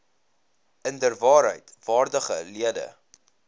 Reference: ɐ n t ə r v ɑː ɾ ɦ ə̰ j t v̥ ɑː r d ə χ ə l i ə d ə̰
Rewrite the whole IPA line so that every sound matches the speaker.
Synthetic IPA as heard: ə n d ə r v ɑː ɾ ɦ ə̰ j t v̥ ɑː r d ə χ ə l i ə d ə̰

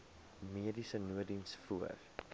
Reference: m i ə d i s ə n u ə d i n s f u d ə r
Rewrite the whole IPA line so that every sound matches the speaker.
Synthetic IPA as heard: m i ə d i s ə n u ə d i n s f u ə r

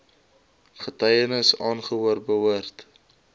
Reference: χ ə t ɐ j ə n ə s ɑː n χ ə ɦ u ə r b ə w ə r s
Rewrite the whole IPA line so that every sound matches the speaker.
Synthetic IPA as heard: χ ə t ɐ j ə n ə s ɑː n χ ə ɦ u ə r b ə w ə r t

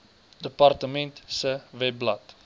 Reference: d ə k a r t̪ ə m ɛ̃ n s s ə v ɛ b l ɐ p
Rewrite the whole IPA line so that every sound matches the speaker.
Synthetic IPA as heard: d ə p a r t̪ ə m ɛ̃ n t s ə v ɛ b l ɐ t

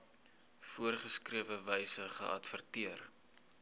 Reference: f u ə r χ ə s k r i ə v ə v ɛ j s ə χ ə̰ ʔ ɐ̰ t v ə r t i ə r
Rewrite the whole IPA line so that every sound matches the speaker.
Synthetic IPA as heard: f u ə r χ ə s k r i ə v ə v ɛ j s ə χ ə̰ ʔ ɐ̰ t f ə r t i ə r

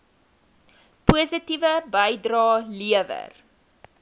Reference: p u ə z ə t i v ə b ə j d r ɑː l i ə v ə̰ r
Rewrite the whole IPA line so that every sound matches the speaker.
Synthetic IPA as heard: p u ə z ə t i v ə b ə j d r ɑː l i ə v ə̰ r

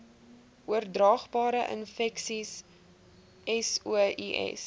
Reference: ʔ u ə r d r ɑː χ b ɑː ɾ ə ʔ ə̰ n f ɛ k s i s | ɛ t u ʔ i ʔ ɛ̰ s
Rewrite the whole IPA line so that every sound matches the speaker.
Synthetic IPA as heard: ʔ u ə r d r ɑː χ b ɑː ɾ ə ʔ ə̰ n f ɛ k s i s | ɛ s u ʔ i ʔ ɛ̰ s

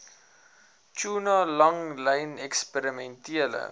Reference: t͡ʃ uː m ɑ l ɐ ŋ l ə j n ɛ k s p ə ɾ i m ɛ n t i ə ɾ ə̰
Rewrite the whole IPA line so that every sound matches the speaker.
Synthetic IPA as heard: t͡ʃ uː n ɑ l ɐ ŋ l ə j n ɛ k s p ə ɾ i m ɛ n t i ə l ə̰

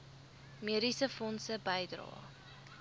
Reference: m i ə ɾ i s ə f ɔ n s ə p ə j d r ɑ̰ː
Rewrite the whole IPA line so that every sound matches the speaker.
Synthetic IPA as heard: m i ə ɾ i s ə f ɔ n s ə b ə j d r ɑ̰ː

